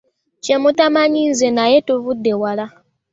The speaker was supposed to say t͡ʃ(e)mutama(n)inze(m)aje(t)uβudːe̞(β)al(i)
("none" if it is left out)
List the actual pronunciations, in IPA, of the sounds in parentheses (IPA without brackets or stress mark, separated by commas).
e, ɲ, n, t, w, a